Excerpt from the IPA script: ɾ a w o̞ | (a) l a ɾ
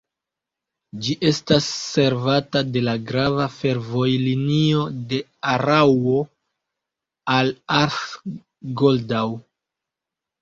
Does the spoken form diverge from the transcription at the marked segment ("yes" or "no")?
no